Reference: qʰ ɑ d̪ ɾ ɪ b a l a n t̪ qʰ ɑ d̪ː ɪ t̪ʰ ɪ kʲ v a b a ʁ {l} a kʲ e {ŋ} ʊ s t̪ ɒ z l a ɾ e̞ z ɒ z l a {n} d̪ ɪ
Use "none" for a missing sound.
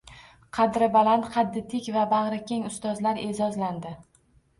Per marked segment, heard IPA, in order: ɾ, ŋ, n

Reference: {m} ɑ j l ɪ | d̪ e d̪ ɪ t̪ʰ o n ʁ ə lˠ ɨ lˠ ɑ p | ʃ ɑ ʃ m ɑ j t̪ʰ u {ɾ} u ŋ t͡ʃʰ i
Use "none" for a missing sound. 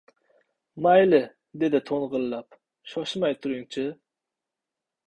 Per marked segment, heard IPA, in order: m, ɾ

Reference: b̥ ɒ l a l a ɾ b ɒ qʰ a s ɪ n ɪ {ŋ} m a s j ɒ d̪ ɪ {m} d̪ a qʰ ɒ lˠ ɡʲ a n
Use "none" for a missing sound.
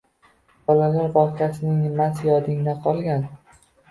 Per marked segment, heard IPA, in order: ŋ, ŋ

